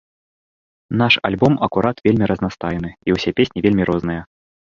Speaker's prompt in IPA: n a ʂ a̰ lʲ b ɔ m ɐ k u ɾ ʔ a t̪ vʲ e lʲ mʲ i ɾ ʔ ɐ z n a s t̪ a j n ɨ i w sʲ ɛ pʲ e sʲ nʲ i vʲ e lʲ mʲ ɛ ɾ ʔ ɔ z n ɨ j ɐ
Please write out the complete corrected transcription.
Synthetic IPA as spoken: n a ʂ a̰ lʲ b ɔ m ɐ k u ɾ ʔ a t̪ vʲ e lʲ mʲ i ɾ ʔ ɐ z n a s t̪ a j n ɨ i w sʲ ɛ pʲ e sʲ nʲ i vʲ e lʲ mʲ i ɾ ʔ ɔ z n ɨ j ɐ